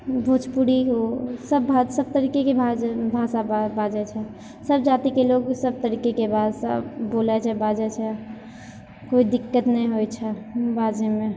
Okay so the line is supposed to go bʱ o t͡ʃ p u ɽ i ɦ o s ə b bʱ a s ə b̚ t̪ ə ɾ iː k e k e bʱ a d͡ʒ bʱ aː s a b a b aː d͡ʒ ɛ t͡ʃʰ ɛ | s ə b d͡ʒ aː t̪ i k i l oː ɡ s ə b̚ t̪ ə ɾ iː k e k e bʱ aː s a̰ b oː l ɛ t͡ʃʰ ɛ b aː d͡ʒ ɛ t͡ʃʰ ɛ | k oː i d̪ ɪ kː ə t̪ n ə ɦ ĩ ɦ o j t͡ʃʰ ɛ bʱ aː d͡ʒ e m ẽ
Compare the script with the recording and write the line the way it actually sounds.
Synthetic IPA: bʱ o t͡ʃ p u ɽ i ɦ o s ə b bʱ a s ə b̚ t̪ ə ɾ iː k e k e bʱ a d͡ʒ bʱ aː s a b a b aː d͡ʒ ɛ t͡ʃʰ ɛ | s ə b d͡ʒ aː t̪ i k e l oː ɡ s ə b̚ t̪ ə ɾ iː k e k e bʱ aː s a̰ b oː l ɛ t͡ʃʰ ɛ b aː d͡ʒ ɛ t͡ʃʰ ɛ | k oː i d̪ ɪ kː ə t̪ n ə ɦ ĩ ɦ o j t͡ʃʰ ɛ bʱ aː d͡ʒ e m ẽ